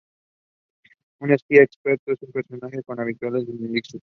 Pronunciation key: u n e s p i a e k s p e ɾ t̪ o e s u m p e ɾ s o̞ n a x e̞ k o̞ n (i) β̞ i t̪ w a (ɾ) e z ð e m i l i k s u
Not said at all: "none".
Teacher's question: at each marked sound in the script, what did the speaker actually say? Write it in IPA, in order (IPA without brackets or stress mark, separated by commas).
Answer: a, l